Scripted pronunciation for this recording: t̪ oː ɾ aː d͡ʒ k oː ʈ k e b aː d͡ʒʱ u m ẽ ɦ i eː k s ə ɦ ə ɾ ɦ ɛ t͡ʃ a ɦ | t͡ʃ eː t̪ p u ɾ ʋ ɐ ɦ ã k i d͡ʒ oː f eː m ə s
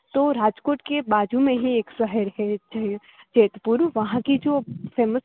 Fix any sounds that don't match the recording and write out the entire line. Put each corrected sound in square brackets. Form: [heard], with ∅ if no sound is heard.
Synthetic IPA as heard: t̪ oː ɾ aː d͡ʒ k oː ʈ k e b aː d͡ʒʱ u m ẽ ɦ i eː k s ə ɦ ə ɾ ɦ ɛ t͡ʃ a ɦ | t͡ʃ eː t̪ p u ɾ ʋ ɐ ɦ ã k i d͡ʒ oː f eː m ə s